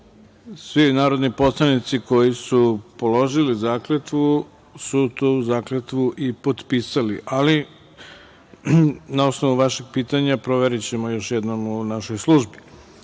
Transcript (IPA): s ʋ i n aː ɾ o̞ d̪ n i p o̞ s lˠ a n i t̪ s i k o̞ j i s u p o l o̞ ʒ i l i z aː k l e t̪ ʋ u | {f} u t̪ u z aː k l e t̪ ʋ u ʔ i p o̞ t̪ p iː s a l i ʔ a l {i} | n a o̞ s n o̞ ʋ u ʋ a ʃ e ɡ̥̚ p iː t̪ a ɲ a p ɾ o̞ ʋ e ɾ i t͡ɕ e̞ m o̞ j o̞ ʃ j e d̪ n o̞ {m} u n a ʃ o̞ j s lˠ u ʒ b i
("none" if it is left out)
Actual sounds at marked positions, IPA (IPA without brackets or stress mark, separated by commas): s, i, m